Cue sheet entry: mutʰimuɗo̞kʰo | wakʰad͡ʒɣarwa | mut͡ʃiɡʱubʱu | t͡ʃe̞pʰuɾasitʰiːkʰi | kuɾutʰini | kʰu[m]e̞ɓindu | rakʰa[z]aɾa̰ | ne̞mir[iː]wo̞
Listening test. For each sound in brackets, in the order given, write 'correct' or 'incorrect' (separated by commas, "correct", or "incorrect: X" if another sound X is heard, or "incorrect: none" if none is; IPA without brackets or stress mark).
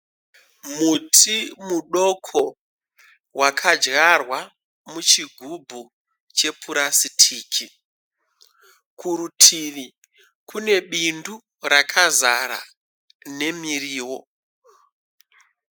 incorrect: n, correct, correct